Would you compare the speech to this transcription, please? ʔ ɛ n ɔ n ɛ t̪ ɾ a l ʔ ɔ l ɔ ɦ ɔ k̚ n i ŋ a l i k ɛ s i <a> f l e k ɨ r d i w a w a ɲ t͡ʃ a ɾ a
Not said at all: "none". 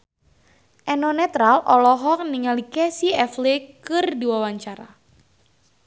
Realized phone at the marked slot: ɛ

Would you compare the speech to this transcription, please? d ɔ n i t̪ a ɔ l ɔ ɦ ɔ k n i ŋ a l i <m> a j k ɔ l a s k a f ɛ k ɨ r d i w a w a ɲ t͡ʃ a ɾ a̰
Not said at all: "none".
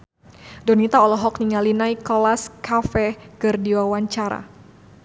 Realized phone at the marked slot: n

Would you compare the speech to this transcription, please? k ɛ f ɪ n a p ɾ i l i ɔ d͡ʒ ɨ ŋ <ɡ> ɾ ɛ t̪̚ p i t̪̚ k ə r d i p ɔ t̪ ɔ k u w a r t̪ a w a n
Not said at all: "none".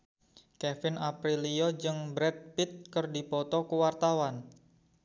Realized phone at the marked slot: b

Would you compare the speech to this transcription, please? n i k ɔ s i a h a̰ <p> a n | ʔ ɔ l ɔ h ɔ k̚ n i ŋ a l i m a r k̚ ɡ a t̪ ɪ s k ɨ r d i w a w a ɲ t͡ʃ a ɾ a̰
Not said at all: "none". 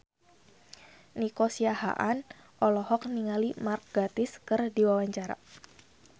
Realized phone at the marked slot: ʔ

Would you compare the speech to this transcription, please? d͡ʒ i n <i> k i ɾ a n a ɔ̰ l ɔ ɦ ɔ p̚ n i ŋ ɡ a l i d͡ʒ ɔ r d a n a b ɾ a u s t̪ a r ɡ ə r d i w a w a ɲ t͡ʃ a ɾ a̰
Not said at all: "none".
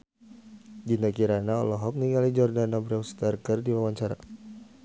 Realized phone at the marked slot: a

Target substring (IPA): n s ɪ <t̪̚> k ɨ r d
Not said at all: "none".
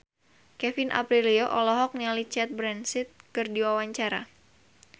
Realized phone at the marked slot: t̪̚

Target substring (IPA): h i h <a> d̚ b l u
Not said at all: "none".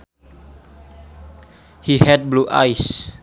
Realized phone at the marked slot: ɛ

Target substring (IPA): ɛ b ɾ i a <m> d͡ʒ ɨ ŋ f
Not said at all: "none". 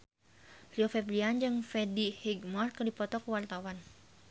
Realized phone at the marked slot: n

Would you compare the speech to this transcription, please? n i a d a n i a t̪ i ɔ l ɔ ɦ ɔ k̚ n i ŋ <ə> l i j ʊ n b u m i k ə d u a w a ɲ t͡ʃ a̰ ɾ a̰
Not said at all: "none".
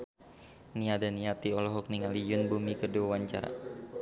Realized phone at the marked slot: a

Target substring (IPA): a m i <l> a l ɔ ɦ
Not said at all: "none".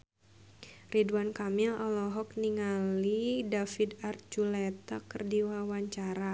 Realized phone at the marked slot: l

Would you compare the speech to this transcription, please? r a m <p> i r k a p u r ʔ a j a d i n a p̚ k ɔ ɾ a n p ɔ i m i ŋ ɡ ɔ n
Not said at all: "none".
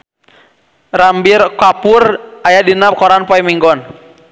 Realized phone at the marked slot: b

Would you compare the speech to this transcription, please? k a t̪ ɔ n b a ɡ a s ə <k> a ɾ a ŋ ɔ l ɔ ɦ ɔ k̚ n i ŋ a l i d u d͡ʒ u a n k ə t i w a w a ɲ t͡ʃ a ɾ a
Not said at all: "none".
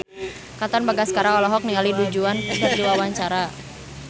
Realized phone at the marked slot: k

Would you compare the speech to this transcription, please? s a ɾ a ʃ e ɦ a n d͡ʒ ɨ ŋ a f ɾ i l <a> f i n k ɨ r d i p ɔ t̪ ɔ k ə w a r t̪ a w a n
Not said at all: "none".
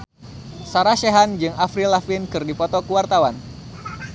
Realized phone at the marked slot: a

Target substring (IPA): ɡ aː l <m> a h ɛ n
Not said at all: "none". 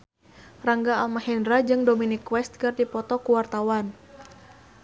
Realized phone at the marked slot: m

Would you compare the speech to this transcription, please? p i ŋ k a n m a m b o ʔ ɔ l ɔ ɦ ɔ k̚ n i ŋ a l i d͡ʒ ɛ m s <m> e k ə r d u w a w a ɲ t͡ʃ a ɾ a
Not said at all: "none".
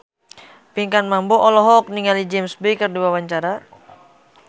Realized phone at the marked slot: b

